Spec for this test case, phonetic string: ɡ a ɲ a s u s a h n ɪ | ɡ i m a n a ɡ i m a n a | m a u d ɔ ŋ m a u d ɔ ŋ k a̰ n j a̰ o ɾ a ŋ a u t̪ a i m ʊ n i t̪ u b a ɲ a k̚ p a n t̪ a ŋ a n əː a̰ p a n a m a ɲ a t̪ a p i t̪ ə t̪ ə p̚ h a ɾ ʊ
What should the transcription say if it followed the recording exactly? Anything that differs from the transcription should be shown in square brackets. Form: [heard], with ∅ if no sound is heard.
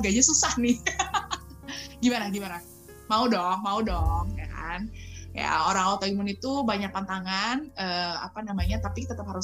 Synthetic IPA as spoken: ɡ a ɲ a s u s a h n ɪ | ɡ i m a n a ɡ i m a n a | m a u d ɔ ŋ m a u d ɔ ŋ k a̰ n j a̰ o ɾ a ŋ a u t̪ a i m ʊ n i t̪ u b a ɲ a k̚ p a n t̪ a ŋ a n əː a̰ p a n a m a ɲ a t̪ a p i t̪ ə t̪ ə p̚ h a ɾ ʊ